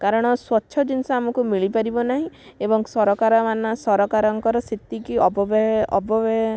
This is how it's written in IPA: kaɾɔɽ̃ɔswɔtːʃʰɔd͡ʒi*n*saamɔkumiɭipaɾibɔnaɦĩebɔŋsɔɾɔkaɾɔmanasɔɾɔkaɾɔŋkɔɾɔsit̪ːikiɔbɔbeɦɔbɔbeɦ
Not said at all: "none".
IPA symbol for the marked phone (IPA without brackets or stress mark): n